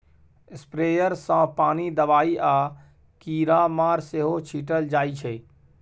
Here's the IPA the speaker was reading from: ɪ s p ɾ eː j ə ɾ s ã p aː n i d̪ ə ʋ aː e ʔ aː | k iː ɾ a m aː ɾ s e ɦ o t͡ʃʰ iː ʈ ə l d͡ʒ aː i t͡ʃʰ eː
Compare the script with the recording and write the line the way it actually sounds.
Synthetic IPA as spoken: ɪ s p ɾ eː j ə ɾ s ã p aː n i d̪ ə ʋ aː i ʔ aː | k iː ɾ a m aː ɾ s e ɦ o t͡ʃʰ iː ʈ ə l d͡ʒ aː i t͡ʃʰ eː

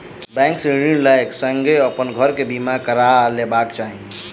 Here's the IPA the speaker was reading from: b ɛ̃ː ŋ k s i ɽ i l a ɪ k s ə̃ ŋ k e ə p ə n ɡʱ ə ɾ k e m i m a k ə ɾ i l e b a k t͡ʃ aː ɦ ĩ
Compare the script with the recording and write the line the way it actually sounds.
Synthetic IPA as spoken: b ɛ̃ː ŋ k s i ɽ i l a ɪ k s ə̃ ŋ ɡ e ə p ə n ɡʱ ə ɾ k e b i m a k ə ɾ a l e b a k t͡ʃ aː ɦ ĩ

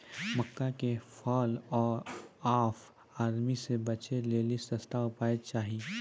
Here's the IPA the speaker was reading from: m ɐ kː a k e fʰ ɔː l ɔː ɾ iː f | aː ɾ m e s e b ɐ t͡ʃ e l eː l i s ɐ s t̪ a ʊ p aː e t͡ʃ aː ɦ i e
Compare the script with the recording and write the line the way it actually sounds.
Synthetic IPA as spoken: m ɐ kː a k e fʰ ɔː l ɔː ɾ aː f | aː ɾ m i s e b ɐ t͡ʃ e l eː l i s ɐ s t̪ a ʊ p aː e t͡ʃ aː ɦ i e

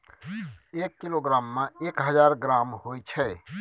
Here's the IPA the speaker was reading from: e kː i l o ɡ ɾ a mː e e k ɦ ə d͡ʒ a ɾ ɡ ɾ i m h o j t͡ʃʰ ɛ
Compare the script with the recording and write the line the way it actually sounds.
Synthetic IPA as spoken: e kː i l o ɡ ɾ a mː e e k ɦ ə d͡ʒ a ɾ ɡ ɾ a m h o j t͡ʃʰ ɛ

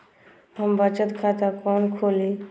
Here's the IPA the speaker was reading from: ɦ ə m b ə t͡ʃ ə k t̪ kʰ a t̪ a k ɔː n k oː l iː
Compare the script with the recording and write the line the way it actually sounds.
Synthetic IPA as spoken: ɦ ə m b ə t͡ʃ ə t̪ kʰ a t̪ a k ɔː n kʰ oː l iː

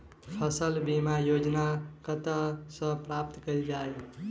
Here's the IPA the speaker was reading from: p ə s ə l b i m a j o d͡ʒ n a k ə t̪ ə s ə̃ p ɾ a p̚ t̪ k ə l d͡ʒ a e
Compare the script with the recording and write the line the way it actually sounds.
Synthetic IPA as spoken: pʰ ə s ə l b i m a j o d͡ʒ n a k ə t̪ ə s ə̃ p ɾ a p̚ t̪ k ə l d͡ʒ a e

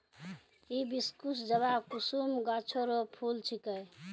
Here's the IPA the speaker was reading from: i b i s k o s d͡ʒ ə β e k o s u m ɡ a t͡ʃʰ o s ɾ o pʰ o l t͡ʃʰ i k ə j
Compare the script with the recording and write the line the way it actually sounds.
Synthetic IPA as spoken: i b i s k u s d͡ʒ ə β a k u s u m ɡ a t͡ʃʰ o ɾ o pʰ u l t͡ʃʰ i k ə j

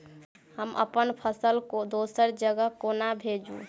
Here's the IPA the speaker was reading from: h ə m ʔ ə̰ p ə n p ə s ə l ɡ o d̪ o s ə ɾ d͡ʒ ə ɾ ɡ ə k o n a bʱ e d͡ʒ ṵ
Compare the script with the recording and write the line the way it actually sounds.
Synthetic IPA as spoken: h ə m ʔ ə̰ p ə n pʰ ə s ə l k o d̪ o s ə ɾ d͡ʒ ə ɡ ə k o n a bʱ e d͡ʒ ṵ

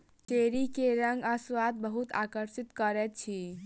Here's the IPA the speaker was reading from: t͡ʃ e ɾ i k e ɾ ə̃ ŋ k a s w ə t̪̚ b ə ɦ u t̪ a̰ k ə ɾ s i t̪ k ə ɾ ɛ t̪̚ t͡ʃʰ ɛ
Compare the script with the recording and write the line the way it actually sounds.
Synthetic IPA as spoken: t͡ʃ e ɾ i k e ɾ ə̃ ŋ ɡ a s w a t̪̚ b ə ɦ u t̪ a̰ k ə ɾ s i t̪ k ə ɾ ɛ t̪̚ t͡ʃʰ i

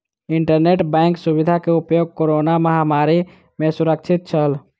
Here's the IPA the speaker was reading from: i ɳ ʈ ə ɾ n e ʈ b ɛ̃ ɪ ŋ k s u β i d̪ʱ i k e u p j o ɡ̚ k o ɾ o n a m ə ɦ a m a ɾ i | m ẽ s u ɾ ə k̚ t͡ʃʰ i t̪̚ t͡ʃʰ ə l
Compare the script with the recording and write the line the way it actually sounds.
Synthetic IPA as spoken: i ɳ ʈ ə ɾ n e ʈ b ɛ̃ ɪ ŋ k s u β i d̪ʱ a k e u p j o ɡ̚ k o ɾ o n a m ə ɦ a m a ɾ i | m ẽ s u ɾ ə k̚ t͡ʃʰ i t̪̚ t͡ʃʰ ə l

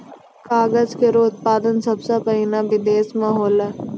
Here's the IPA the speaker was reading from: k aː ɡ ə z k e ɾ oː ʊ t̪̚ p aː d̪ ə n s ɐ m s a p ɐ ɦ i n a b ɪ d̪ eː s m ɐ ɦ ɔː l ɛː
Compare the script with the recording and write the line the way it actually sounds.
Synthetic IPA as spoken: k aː ɡ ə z k e ɾ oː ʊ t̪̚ p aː d̪ ə n s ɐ b s a p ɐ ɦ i n a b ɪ d̪ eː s m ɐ ɦ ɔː l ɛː

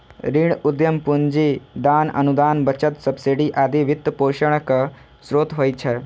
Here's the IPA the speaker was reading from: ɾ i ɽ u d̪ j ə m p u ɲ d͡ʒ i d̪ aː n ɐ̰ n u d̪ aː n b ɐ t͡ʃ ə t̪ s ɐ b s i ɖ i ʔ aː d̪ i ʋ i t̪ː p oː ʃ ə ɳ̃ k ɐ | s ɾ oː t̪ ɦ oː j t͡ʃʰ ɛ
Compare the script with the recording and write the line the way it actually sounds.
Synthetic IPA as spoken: ɾ i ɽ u d̪ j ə m p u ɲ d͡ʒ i d̪ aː n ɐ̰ n u d̪ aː n b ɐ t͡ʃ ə t̪ s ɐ b s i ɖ i ʔ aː d̪ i ʋ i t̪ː p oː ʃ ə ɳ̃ k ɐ | s ɾ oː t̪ ɦ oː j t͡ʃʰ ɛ

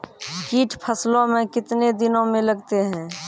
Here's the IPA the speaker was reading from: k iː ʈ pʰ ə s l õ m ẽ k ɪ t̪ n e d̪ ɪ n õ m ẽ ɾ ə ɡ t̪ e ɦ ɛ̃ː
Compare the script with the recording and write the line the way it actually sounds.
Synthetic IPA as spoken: k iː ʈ pʰ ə s l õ m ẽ k ɪ t̪ n e d̪ ɪ n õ m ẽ l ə ɡ t̪ e ɦ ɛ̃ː

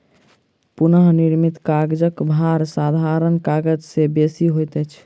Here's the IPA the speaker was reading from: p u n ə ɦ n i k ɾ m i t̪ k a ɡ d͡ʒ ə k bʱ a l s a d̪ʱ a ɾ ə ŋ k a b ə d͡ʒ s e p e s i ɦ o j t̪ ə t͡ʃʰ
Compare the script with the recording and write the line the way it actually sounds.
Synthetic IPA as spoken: p u n ə ɦ n i ɾ m i t̪ k a ɡ d͡ʒ ə k bʱ a ɾ s a d̪ʱ a ɾ ə n k a ɡ ə d͡ʒ s e b e s i ɦ o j t̪ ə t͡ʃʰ

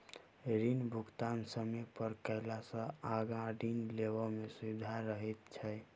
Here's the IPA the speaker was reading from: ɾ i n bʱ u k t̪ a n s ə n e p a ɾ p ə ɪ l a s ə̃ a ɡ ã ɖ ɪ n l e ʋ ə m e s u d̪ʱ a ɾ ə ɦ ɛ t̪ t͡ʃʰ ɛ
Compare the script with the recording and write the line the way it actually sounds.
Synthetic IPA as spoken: ɾ i n bʱ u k t̪ a n s ə m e p ə ɾ k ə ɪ l a s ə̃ a ɡ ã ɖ i n l e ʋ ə m e s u d̪ʱ a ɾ ə ɦ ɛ t̪ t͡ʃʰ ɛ

